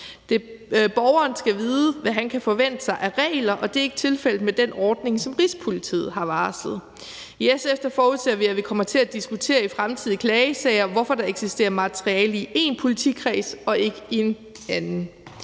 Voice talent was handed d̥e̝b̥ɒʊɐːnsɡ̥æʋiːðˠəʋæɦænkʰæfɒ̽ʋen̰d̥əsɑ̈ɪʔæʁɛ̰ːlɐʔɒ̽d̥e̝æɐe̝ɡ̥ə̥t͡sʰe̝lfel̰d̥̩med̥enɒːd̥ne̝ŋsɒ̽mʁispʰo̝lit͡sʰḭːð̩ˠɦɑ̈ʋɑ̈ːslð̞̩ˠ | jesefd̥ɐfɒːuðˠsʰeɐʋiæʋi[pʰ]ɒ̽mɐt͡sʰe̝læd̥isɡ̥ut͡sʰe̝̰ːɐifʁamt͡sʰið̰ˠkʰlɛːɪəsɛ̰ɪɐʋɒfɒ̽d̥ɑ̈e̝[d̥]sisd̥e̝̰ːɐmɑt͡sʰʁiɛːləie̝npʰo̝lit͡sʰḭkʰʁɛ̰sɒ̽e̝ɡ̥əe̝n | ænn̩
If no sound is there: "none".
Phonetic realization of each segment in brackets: kʰ, ɡ̥

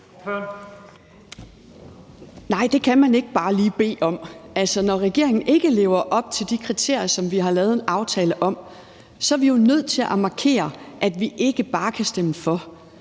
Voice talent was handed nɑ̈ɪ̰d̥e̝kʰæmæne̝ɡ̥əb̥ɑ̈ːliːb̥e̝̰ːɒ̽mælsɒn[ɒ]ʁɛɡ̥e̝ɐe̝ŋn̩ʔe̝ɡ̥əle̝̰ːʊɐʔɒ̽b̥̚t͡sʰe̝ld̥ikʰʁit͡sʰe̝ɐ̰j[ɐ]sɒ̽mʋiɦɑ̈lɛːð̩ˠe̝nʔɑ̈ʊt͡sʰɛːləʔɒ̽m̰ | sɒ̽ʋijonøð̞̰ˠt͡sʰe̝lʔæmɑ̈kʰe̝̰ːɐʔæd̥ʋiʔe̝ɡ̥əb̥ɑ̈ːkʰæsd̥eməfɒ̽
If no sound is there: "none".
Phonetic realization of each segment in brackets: ɒ, ɐ

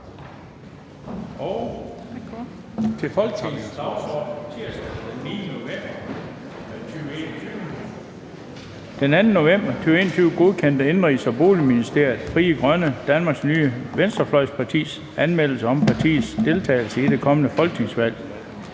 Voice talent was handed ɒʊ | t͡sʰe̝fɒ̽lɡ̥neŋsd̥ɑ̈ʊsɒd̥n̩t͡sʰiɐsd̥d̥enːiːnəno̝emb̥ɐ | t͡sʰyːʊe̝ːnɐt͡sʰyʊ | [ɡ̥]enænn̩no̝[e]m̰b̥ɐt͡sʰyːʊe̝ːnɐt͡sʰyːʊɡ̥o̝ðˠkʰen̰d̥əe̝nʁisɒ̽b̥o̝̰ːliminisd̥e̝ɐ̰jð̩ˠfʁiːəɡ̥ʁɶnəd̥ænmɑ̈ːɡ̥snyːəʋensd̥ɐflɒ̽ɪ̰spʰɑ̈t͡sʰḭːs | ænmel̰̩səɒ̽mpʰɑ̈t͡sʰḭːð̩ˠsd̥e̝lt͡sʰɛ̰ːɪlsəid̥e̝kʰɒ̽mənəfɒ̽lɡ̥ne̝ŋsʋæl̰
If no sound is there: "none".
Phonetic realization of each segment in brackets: d̥, e

